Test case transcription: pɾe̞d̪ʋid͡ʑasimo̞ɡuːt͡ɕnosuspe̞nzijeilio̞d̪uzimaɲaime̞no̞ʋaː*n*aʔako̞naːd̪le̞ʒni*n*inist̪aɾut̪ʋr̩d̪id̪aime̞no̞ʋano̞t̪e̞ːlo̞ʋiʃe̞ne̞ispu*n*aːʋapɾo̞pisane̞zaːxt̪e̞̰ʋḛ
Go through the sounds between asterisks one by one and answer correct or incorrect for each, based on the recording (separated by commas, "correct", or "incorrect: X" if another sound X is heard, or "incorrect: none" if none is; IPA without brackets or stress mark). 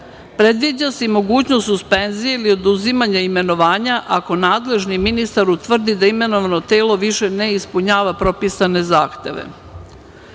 incorrect: ɲ, incorrect: m, incorrect: ɲ